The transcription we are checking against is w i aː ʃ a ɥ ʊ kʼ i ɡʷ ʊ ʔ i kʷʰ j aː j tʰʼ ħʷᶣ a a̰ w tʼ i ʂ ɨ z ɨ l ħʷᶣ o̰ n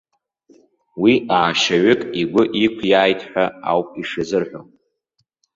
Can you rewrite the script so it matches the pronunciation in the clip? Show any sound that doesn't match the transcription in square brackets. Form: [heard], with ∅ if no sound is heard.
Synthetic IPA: w i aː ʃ a ɥ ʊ kʼ i ɡʷ ʊ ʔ i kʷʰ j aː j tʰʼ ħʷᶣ a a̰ w [pʼ] i ʂ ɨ z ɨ [r] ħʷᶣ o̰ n